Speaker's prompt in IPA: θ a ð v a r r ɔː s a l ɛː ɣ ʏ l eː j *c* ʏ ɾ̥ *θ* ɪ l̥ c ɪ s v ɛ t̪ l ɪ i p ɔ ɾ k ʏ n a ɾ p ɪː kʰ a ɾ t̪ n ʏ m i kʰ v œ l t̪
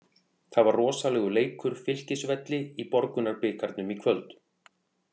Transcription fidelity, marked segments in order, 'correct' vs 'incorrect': incorrect: k, incorrect: f

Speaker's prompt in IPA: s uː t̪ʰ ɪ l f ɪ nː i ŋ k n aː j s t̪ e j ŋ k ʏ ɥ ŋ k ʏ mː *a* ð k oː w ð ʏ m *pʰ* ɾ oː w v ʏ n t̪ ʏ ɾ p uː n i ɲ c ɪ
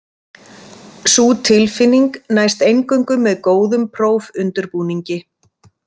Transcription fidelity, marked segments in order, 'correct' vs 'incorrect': incorrect: ɛ, correct

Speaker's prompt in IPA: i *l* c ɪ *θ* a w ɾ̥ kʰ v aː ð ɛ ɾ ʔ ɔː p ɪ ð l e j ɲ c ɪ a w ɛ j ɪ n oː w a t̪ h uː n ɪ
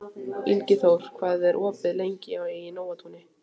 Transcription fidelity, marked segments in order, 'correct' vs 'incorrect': correct, correct

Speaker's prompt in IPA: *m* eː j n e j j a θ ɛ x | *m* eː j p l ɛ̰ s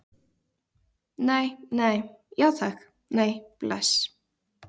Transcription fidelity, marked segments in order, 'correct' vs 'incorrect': incorrect: n, incorrect: n

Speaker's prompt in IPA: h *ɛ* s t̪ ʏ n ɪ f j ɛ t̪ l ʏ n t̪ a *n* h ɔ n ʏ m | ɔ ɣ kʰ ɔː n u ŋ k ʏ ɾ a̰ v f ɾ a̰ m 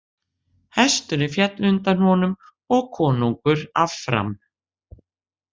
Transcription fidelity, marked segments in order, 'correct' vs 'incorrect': correct, correct

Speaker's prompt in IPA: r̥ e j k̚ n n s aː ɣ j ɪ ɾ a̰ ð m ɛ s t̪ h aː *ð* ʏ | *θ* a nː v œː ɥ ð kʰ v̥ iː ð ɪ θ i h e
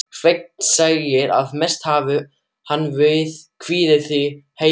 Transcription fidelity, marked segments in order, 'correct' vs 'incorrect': incorrect: v, incorrect: h

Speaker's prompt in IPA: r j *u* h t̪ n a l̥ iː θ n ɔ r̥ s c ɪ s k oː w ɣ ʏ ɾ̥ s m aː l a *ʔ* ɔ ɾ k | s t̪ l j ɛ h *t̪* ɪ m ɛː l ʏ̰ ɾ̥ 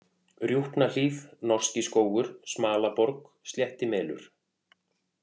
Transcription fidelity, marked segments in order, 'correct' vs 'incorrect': correct, incorrect: p, correct

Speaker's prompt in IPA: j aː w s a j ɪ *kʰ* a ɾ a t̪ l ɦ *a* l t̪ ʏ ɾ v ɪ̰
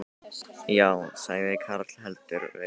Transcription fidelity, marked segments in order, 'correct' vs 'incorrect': correct, incorrect: ɛ

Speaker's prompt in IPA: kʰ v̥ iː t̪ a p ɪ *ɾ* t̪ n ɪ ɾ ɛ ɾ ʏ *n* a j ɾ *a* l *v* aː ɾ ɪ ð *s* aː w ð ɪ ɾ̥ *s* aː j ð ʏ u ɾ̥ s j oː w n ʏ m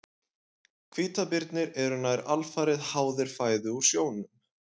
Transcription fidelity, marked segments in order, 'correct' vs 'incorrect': correct, correct, correct, incorrect: f, incorrect: h, incorrect: f

